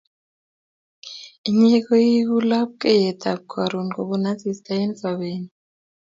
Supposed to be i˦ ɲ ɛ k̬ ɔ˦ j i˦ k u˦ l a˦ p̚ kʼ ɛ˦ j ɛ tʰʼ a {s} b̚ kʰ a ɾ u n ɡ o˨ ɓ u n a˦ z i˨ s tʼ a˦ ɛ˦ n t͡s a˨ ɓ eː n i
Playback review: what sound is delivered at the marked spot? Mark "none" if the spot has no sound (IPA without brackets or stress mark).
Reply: none